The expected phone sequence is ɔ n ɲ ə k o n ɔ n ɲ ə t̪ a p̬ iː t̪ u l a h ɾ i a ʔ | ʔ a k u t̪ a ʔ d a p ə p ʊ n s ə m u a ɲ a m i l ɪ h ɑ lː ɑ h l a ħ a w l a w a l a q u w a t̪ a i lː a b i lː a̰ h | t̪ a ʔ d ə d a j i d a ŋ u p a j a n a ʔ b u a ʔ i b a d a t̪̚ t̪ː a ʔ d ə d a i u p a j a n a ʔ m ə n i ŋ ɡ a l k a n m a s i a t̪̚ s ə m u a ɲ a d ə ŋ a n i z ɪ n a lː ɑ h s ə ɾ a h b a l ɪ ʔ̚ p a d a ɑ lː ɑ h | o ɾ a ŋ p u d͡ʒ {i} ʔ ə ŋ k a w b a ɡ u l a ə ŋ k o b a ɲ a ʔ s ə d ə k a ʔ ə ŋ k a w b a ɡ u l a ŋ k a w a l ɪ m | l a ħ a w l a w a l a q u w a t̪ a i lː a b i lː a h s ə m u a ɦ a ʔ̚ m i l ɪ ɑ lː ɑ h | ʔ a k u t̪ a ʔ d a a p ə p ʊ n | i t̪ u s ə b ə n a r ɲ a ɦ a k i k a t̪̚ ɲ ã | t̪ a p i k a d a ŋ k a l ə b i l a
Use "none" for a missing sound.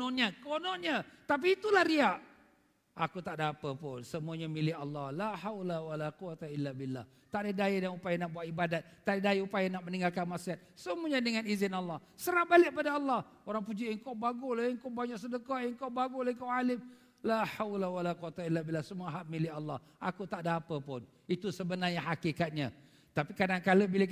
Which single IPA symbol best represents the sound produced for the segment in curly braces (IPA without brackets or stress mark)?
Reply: i